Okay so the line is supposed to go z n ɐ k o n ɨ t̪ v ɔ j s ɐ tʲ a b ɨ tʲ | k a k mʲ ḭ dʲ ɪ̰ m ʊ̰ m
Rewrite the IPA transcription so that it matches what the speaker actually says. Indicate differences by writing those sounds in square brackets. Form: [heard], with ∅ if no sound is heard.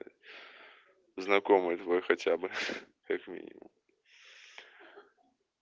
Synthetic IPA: z n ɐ k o [m] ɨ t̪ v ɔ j [x] ɐ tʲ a b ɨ [∅] | k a k mʲ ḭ [nʲ] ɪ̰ m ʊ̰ m

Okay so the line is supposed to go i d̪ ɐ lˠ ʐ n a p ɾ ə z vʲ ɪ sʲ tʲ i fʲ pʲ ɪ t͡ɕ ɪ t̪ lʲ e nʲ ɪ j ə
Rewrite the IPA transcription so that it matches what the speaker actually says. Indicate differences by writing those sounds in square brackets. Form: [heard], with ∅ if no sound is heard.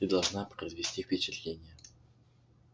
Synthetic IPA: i d̪ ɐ lˠ ʐ n a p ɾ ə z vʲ ɪ sʲ tʲ i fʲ pʲ ɪ t͡ɕ ɪ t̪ lʲ e nʲ ɪ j ə

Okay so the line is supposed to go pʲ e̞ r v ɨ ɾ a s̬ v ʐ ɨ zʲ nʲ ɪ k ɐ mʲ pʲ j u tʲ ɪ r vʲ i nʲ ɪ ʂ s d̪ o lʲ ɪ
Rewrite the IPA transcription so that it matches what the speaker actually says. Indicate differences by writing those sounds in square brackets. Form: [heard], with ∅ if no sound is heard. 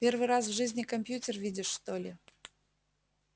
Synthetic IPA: pʲ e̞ r v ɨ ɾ a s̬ v ʐ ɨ zʲ nʲ ɪ k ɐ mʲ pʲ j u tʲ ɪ r vʲ i [dʲ] ɪ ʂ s [t̪] o lʲ ɪ

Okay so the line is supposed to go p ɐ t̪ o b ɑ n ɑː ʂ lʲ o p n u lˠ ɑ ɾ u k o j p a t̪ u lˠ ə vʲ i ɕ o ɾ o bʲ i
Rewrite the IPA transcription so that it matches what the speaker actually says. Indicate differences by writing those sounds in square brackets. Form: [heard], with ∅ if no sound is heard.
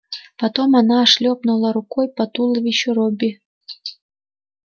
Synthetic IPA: p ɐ t̪ o [m] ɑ n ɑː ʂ lʲ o p n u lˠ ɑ ɾ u k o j p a t̪ u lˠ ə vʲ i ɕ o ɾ o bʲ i

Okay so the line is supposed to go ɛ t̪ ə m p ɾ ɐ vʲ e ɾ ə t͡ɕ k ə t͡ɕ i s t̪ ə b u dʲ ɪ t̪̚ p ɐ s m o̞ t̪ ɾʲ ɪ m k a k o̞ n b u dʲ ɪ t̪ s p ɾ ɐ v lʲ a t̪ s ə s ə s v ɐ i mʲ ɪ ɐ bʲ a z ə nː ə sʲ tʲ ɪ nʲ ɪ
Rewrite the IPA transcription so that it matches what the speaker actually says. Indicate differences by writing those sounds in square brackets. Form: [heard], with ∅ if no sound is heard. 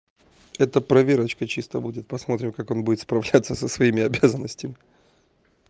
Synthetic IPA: ɛ t̪ ə [∅] p ɾ ɐ vʲ e ɾ ə t͡ɕ k ə t͡ɕ i s t̪ ə b u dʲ ɪ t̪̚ p ɐ s m o̞ t̪ ɾʲ ɪ m k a k o̞ n b u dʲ ɪ t̪ s p ɾ ɐ v lʲ a t̪ s ə s ə s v ɐ i mʲ ɪ ɐ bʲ a z ə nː ə sʲ tʲ ɪ [mʲ] ɪ

